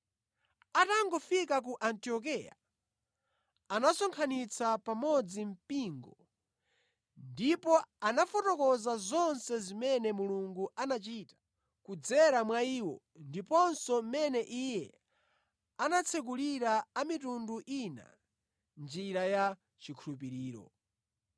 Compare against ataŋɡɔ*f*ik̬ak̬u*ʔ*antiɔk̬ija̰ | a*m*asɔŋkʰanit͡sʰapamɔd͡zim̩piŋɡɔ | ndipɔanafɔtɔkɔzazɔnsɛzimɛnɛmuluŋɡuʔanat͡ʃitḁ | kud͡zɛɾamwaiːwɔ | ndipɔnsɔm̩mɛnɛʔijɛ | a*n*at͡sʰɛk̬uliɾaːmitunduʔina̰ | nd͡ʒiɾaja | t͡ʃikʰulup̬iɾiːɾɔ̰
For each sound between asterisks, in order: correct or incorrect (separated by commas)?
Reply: correct, correct, incorrect, correct